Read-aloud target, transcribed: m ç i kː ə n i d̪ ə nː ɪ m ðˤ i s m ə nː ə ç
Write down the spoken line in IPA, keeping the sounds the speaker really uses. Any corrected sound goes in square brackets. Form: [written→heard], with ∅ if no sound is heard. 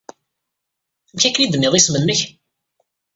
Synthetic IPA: m ç [i→æ] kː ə n i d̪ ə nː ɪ [m→∅] ðˤ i s m ə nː ə ç